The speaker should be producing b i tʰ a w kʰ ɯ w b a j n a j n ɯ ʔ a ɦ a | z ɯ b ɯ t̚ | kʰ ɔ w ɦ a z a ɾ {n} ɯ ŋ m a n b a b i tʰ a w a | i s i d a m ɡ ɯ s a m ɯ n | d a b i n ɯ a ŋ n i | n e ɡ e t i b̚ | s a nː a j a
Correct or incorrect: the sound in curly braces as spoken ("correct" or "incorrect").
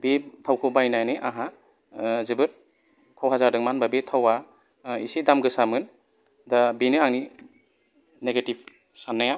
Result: incorrect